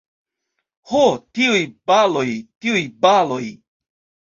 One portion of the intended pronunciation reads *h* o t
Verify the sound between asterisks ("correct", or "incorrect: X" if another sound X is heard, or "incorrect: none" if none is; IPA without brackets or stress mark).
correct